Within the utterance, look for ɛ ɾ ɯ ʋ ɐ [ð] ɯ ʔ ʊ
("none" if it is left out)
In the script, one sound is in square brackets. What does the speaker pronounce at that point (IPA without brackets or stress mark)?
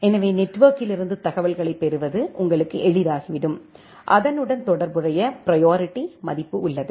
ð